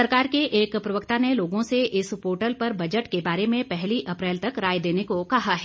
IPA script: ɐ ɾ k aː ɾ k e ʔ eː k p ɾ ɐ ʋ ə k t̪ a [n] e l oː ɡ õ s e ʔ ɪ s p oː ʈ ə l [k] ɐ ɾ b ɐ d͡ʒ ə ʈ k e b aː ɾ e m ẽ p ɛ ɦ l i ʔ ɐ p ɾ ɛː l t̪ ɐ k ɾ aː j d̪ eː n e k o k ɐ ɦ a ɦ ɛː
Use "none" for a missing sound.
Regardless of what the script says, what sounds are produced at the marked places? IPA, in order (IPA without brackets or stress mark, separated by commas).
n, p